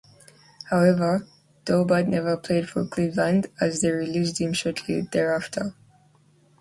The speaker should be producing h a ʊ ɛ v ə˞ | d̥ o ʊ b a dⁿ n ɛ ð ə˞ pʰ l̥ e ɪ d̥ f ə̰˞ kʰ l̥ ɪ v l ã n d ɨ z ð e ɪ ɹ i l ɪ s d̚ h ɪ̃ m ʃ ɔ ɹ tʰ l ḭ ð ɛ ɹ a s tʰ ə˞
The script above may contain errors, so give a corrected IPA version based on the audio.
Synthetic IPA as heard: h a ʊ ɛ v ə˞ | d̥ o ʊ b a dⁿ n ɛ v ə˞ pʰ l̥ e ɪ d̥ f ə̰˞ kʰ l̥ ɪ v l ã n d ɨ z ð e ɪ ɹ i l i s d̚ h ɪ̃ m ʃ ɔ ɹ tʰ l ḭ ð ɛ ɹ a f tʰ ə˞